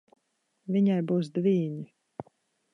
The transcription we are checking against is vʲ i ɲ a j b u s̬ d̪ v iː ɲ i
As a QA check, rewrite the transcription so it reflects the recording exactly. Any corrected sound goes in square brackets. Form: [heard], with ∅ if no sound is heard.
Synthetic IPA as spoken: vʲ i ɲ a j b [uː] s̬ d̪ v iː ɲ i